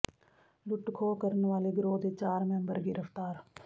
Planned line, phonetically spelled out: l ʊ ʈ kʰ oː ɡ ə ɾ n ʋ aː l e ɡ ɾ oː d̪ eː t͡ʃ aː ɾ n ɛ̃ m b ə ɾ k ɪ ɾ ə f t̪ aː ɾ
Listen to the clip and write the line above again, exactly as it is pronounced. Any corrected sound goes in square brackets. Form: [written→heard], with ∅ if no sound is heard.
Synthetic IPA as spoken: l ʊ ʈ kʰ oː [ɡ→k] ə ɾ n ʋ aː l e ɡ ɾ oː d̪ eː t͡ʃ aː ɾ [n→m] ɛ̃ m b ə ɾ [k→ɡ] ɪ ɾ ə f t̪ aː ɾ